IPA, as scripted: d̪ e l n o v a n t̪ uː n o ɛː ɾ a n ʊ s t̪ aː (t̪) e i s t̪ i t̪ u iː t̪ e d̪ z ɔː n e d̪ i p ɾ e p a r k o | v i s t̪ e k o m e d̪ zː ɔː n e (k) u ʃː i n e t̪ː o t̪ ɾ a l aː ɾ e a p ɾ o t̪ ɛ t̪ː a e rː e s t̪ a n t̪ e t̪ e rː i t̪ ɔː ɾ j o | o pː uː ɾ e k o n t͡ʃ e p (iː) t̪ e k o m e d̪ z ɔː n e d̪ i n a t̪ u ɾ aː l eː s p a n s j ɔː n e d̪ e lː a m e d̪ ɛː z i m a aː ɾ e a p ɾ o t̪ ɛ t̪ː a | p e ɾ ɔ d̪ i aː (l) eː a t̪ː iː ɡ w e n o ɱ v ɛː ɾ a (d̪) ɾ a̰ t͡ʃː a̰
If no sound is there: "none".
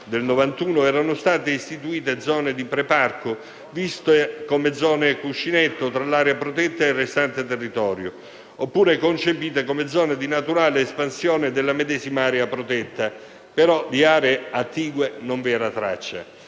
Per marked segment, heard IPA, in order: t̪, k, iː, ɾ, t̪

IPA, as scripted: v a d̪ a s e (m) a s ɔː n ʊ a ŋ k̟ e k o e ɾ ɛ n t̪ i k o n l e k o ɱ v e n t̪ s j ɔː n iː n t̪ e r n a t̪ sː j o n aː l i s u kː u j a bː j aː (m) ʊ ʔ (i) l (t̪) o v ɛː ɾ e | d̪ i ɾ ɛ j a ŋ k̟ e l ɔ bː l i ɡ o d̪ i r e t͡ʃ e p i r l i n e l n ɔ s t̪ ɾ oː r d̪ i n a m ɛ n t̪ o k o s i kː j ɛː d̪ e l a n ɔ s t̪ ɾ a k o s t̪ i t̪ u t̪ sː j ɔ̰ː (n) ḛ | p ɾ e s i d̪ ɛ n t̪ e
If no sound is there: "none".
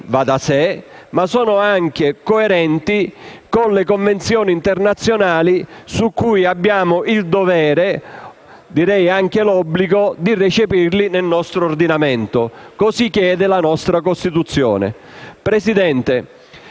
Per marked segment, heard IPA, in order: m, m, i, d̪, n

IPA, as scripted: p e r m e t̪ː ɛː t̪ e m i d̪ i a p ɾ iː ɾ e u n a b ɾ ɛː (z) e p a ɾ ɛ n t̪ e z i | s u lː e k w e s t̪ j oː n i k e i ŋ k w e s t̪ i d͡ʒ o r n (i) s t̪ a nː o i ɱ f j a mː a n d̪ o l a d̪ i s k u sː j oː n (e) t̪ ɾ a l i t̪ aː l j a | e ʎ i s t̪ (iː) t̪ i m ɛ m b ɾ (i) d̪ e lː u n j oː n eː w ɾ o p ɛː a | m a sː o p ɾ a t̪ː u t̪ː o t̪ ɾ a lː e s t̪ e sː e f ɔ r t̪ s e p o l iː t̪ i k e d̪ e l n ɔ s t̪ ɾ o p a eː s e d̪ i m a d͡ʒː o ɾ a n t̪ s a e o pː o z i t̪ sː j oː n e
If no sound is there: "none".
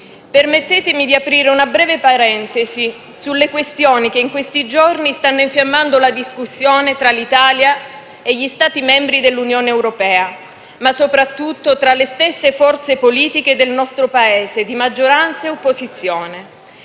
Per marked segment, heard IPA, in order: v, i, e, aː, i

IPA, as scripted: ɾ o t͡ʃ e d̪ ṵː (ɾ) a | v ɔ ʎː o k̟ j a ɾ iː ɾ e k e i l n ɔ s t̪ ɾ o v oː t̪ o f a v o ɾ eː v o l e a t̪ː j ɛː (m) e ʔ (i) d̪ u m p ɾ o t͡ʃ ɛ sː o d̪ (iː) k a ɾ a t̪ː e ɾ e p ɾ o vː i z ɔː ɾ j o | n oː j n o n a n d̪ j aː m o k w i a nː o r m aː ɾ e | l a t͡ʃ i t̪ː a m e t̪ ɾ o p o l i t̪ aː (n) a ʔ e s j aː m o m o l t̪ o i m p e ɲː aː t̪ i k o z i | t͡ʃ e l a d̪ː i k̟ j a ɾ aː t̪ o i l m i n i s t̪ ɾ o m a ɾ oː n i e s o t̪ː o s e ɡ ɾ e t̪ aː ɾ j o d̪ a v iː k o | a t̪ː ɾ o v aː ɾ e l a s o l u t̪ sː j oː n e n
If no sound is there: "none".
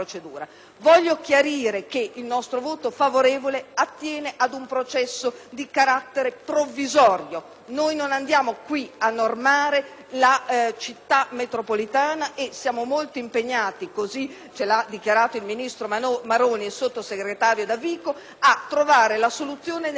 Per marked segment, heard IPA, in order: ɾ, n, a, i, n

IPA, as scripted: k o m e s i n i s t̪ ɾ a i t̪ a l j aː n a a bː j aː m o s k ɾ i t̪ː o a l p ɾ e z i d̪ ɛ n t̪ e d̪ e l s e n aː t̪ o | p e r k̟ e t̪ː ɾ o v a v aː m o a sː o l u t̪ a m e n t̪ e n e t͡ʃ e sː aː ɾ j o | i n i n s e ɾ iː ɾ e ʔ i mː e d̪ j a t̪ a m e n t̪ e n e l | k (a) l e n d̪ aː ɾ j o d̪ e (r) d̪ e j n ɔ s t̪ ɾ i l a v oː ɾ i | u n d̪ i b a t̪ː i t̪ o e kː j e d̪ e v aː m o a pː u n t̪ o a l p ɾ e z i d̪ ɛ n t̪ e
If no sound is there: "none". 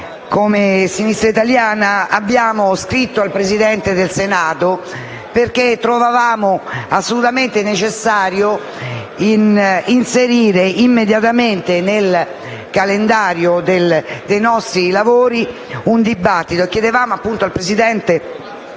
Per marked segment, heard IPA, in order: a, l

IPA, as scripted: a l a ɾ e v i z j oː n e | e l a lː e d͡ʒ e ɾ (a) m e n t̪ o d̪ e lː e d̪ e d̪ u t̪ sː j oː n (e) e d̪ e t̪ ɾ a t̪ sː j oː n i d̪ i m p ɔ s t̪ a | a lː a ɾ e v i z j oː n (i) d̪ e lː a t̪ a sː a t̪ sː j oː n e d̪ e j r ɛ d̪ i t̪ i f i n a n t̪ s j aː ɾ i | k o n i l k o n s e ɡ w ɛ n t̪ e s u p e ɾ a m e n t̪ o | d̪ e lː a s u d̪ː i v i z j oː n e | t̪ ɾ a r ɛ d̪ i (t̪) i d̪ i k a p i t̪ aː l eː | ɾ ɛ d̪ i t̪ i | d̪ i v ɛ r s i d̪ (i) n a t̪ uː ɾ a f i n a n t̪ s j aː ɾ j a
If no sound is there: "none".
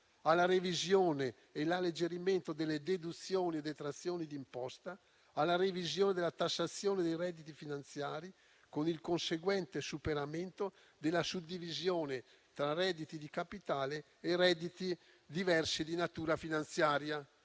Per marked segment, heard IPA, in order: i, i, e, t̪, i

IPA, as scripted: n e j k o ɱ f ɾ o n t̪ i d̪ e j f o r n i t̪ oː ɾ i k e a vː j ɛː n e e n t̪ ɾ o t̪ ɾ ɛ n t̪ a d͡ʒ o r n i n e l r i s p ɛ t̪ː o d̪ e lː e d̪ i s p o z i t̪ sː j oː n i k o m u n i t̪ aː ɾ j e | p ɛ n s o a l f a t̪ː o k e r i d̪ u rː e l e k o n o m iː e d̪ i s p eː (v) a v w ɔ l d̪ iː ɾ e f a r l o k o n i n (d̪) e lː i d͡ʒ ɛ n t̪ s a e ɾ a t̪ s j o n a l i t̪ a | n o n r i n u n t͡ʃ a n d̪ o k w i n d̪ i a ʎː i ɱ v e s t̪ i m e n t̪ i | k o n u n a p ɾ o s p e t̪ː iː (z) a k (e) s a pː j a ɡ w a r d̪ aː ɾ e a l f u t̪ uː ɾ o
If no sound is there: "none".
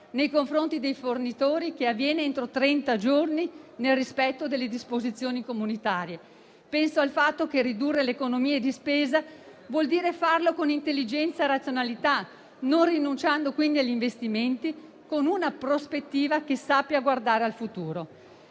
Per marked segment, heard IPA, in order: z, t̪, v, e

